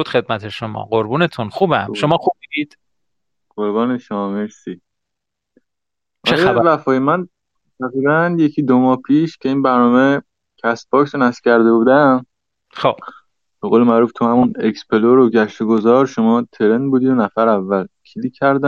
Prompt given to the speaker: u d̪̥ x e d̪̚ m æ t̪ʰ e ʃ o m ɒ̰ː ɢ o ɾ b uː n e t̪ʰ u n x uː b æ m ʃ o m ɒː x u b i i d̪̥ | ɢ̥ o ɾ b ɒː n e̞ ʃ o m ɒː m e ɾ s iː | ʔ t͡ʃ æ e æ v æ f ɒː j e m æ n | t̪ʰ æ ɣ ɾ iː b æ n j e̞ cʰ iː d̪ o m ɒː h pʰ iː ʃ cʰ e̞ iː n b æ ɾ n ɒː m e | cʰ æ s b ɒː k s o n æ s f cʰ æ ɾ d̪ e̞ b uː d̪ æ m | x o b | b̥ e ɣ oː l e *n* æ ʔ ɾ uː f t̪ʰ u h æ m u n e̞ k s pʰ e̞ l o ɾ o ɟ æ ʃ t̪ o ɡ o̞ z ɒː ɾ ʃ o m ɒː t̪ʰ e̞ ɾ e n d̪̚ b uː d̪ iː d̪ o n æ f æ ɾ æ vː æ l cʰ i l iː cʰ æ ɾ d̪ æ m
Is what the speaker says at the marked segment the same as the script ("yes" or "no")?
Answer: no